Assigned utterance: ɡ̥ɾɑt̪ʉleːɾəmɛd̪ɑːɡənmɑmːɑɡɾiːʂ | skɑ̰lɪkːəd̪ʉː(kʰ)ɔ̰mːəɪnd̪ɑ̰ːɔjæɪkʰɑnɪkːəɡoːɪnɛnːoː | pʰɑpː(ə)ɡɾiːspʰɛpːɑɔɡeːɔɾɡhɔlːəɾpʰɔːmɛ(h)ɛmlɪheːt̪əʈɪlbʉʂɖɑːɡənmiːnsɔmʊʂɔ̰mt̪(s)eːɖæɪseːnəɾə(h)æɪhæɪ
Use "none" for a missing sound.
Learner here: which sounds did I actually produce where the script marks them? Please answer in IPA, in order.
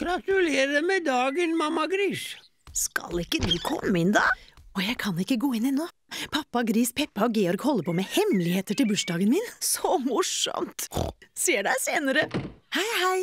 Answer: kʰ, ɑ, h, s, h

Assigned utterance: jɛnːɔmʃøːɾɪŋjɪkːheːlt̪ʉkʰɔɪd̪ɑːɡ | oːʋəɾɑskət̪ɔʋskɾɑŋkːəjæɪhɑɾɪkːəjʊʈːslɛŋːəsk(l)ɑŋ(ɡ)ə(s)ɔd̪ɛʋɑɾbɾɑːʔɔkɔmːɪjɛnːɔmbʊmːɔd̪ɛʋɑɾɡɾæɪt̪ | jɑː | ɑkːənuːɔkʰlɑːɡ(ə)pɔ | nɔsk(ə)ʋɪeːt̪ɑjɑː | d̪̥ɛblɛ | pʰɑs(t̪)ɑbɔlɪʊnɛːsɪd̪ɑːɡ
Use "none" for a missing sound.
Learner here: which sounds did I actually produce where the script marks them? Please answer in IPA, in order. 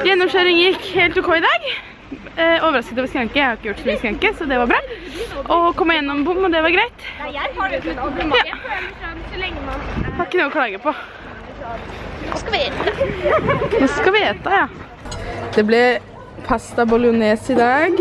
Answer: ɾ, k, s, ə, ɑ, t̪

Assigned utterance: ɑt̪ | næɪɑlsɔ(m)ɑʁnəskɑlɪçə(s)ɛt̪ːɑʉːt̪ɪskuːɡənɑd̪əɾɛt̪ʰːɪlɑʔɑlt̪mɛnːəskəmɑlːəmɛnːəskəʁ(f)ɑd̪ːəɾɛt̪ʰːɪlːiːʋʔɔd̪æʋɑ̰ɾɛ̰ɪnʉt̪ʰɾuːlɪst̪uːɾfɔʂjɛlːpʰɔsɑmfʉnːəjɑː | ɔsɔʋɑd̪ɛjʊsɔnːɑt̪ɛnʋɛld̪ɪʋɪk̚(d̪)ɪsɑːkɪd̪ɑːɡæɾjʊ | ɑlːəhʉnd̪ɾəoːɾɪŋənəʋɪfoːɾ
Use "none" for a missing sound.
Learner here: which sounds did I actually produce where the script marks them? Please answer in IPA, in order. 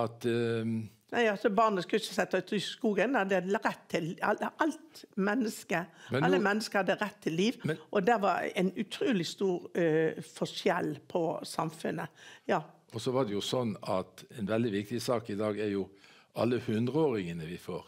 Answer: b, s, h, t̪

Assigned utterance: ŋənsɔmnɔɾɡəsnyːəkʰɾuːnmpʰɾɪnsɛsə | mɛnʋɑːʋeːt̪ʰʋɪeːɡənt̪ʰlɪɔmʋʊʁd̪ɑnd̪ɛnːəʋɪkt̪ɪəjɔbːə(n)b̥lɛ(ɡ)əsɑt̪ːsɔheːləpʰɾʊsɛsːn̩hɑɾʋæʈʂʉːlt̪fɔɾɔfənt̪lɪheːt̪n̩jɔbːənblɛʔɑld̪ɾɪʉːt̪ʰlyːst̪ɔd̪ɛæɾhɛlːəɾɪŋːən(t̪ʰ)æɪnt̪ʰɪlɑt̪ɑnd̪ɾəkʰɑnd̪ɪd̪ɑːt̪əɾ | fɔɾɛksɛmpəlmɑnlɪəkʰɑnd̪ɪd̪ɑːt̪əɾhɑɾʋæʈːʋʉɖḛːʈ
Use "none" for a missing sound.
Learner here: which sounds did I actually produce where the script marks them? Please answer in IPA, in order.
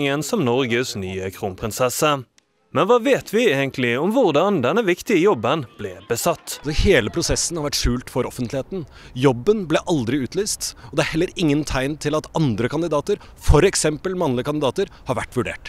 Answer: n, b, t̪ʰ

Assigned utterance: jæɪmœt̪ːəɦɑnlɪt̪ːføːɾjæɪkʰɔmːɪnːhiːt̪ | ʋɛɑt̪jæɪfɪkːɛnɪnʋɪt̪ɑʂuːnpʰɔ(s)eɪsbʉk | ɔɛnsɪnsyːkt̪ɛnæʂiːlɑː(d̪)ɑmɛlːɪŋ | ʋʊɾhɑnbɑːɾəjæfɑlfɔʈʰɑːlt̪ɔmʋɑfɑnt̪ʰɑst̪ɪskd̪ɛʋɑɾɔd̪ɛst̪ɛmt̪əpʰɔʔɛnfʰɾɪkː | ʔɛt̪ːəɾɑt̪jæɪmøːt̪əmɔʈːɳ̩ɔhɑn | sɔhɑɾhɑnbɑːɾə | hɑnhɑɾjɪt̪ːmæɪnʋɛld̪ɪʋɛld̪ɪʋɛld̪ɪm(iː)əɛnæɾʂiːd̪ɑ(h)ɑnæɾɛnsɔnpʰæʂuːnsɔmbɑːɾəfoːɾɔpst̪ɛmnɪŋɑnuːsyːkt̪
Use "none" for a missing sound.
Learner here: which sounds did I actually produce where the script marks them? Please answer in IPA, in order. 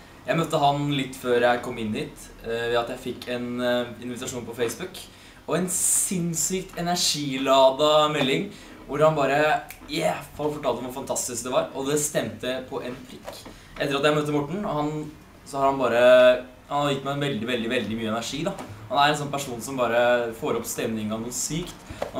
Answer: f, d̪, yː, h

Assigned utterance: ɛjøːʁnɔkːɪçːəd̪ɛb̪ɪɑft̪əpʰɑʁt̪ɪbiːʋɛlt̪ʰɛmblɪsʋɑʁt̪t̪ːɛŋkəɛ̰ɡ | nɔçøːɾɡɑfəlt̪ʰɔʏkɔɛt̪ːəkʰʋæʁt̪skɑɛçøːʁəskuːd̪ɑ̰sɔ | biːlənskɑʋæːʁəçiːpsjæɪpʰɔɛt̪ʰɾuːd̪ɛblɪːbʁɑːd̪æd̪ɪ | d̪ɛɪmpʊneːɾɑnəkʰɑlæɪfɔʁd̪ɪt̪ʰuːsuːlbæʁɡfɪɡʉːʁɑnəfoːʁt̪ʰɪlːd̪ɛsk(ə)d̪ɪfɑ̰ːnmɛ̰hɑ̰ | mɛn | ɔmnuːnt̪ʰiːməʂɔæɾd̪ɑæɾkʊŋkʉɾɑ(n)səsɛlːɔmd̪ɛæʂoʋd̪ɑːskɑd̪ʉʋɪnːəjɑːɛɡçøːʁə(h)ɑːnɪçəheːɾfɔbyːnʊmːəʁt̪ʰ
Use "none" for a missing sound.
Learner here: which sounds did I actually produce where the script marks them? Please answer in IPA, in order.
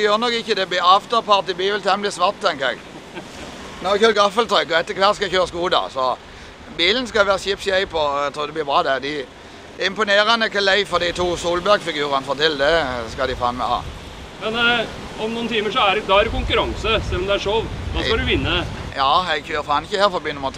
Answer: ɑ, ŋ, f

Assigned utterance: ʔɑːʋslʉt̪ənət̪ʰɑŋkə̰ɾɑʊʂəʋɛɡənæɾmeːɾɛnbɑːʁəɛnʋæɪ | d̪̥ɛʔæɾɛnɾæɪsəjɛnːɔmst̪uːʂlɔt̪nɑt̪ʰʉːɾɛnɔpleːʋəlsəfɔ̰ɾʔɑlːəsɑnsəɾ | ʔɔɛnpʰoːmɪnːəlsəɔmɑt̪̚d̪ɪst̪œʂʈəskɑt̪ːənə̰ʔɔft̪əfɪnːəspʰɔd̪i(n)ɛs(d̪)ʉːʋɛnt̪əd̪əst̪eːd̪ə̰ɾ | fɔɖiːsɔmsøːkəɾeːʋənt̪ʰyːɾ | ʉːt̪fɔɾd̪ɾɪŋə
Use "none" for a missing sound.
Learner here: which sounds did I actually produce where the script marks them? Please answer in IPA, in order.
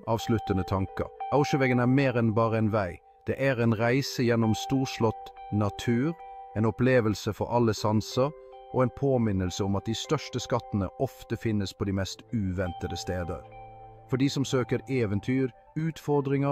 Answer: m, t̪

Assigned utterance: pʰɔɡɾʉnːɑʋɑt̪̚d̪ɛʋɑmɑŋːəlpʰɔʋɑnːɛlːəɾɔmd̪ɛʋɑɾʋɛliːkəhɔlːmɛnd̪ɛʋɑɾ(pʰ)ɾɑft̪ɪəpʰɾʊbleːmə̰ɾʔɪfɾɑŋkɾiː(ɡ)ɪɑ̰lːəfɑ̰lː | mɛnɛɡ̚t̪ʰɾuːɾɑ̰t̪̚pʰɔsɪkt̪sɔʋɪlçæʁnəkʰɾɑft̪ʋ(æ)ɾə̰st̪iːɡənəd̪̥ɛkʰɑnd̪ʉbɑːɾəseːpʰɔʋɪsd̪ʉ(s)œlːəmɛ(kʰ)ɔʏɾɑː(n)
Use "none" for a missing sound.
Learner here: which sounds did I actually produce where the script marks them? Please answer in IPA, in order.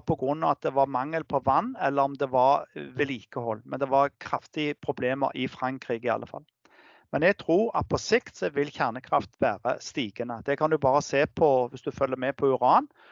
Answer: kʰ, ɡ, æː, f, pʰ, n

